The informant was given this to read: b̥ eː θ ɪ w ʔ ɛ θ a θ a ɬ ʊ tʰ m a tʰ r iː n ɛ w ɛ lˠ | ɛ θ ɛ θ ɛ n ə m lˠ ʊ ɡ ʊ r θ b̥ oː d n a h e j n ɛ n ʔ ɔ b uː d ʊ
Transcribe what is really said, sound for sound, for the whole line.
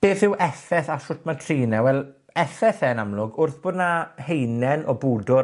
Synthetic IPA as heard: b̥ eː θ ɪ w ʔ ɛ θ ɛ θ a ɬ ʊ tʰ m a tʰ r iː n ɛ w ɛ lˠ | ɛ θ ɛ θ ɛ n a m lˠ ʊ ɡ ʊ r θ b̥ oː d n a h e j n ɛ n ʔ ɔ b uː d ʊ